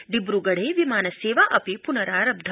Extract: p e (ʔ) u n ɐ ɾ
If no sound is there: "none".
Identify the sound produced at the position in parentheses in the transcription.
p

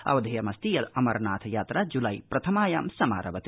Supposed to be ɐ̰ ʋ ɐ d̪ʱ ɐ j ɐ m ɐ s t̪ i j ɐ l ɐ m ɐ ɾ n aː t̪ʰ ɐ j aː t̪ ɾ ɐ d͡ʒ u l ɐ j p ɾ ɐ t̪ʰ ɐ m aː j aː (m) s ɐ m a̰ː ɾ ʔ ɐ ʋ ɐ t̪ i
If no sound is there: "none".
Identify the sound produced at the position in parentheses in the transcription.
m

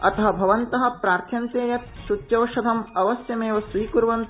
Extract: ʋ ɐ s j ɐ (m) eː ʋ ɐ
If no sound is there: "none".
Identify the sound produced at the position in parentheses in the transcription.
m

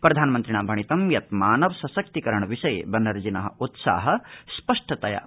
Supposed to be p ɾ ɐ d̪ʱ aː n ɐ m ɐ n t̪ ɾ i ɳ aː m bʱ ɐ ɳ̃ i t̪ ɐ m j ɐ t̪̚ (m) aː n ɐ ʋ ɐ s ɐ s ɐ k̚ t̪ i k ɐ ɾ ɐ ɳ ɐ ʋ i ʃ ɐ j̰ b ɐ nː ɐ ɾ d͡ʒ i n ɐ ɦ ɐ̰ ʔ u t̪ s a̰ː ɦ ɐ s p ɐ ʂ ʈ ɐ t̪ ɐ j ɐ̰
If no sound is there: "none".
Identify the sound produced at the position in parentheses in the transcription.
m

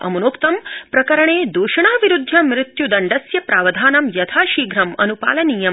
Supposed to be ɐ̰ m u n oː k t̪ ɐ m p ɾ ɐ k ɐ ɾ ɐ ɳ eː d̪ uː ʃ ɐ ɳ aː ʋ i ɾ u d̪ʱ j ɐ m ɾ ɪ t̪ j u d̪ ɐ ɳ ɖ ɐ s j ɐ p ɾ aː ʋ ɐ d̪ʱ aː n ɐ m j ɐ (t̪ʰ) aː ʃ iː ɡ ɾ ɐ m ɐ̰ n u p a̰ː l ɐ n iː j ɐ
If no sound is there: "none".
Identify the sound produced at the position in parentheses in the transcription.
t̪ʰ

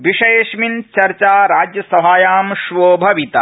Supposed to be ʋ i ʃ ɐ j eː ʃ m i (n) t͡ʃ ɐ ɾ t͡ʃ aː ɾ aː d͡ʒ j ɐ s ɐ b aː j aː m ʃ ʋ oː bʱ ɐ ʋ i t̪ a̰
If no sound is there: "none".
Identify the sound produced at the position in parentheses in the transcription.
n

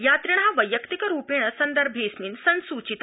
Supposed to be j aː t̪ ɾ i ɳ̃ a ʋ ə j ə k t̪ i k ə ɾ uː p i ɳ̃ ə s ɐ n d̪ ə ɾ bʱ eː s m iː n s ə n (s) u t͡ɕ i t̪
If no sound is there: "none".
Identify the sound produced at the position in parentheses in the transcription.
s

